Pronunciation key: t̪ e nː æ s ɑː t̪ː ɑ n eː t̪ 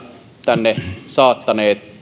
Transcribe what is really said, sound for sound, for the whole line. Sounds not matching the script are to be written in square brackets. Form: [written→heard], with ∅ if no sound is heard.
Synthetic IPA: t̪ [e→æ] nː [æ→e] s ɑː t̪ː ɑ n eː t̪